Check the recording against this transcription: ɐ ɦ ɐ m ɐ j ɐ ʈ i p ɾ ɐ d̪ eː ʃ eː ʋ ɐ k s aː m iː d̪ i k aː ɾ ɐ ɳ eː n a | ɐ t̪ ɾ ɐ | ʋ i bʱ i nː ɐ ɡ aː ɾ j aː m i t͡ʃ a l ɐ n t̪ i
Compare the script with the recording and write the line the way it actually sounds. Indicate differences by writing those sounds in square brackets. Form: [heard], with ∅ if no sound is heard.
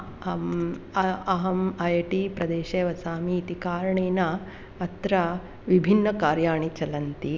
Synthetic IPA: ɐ ɦ ɐ m ɐ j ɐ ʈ i p ɾ ɐ d̪ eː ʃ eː ʋ ɐ [∅] s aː m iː [t̪] i k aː ɾ ɐ ɳ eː n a | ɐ t̪ ɾ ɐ | ʋ i bʱ i nː ɐ [k] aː ɾ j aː [ɳ] i t͡ʃ [ɐ] l ɐ n t̪ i